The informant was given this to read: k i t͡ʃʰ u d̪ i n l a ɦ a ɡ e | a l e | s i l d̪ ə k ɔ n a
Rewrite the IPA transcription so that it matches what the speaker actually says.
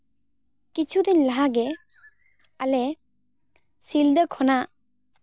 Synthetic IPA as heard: k i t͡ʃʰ u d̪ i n l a ɦ a ɡ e | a l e | s i l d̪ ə kʰ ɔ n a